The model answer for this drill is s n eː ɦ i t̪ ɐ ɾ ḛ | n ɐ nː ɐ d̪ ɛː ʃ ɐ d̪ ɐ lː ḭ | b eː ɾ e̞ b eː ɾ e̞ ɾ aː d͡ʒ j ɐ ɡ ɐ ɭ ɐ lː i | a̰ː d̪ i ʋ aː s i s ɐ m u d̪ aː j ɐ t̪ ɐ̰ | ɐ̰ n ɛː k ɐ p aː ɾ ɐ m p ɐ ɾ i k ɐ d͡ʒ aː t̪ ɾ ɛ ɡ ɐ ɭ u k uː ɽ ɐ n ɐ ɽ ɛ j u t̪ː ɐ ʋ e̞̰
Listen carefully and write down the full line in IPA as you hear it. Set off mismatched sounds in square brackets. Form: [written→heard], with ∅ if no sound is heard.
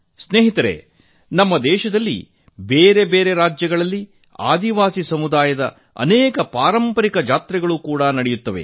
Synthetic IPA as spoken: s n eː ɦ i t̪ ɐ ɾ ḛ | n ɐ [nː→mː] ɐ d̪ ɛː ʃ ɐ d̪ ɐ lː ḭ | b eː ɾ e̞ b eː ɾ e̞ ɾ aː d͡ʒ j ɐ ɡ ɐ ɭ ɐ lː i | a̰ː d̪ i ʋ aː s i s ɐ m u d̪ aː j ɐ [t̪→d̪] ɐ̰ | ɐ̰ n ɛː k ɐ p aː ɾ ɐ m p ɐ ɾ i k ɐ d͡ʒ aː t̪ ɾ ɛ ɡ ɐ ɭ u k uː ɽ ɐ n ɐ ɽ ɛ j u t̪ː ɐ ʋ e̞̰